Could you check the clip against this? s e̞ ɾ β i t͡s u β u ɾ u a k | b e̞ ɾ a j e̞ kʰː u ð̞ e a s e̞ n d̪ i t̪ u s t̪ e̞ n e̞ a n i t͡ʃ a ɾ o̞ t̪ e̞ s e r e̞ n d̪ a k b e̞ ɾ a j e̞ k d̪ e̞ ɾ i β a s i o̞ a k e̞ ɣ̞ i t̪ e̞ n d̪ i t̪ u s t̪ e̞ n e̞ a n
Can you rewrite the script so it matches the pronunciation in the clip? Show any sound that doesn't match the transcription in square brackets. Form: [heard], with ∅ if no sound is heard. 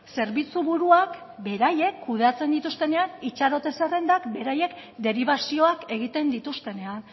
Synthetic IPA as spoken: s e̞ ɾ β i t͡s u β u ɾ u a k | b e̞ ɾ a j e̞ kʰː u ð̞ e a [t͡s] e̞ n d̪ i t̪ u s t̪ e̞ n e̞ a n i t͡ʃ a ɾ o̞ t̪ e̞ s e r e̞ n d̪ a k b e̞ ɾ a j e̞ k d̪ e̞ ɾ i β a s i o̞ a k e̞ ɣ̞ i t̪ e̞ n d̪ i t̪ u s t̪ e̞ n e̞ a n

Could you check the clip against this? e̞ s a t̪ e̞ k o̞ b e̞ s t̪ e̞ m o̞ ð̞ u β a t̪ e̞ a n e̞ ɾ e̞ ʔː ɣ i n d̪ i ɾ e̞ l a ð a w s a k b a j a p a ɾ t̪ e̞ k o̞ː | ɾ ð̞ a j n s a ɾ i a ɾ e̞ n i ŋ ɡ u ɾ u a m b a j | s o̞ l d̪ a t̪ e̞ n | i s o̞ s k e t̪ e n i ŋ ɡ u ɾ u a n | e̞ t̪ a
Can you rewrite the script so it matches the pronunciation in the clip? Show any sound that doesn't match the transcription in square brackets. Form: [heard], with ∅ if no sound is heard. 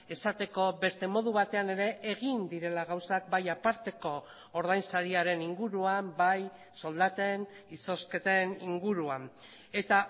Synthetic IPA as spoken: e̞ s a t̪ e̞ k o̞ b e̞ s t̪ e̞ m o̞ ð̞ u β a t̪ e̞ a n e̞ ɾ e̞ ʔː ɣ i n d̪ i ɾ e̞ l a [ɣ] a w s a k b a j a p a ɾ t̪ e̞ k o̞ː | ɾ ð̞ a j n s a ɾ i a ɾ e̞ n i ŋ ɡ u ɾ u a m b a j | s o̞ l d̪ a t̪ e̞ n | i s o̞ s k e t̪ e n i ŋ ɡ u ɾ u a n | e̞ t̪ a

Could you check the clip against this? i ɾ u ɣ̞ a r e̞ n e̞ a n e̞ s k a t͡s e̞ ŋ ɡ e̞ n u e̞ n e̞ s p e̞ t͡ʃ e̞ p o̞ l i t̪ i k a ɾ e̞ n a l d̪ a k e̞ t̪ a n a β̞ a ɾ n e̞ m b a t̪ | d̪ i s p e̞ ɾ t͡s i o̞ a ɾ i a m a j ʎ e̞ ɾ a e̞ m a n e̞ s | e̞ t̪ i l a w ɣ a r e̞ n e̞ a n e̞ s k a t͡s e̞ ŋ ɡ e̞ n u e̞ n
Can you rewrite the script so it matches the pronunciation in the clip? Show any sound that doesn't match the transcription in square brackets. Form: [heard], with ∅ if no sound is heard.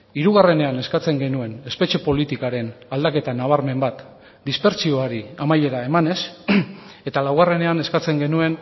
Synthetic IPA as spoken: i ɾ u ɣ̞ a r e̞ n e̞ a n e̞ s k a t͡s e̞ ŋ ɡ e̞ n u e̞ n e̞ s p e̞ t͡ʃ e̞ p o̞ l i t̪ i k a ɾ e̞ n a l d̪ a k e̞ t̪ a n a β̞ a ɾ [m] e̞ m b a t̪ | d̪ i s p e̞ ɾ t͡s i o̞ a ɾ i a m a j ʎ e̞ ɾ a e̞ m a n e̞ s | e̞ t̪ [a] l a w ɣ a r e̞ n e̞ a n e̞ s k a t͡s e̞ ŋ ɡ e̞ n u e̞ n

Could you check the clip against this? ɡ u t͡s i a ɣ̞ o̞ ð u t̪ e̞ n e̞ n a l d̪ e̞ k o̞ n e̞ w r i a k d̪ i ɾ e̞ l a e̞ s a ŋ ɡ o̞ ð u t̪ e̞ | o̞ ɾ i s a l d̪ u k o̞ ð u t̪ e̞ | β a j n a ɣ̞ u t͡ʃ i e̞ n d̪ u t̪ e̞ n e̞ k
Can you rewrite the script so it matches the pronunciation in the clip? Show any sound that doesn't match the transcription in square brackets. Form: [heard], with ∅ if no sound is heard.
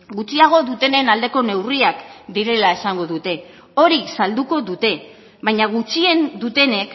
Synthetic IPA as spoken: ɡ u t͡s i a ɣ̞ o̞ ð u t̪ e̞ n e̞ n a l d̪ e̞ k o̞ n e̞ w r i a k d̪ i ɾ e̞ l a e̞ s a ŋ ɡ o̞ ð u t̪ e̞ | o̞ ɾ i s a l d̪ u k o̞ ð u t̪ e̞ | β a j [ɲ] a ɣ̞ u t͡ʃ i e̞ n d̪ u t̪ e̞ n e̞ k

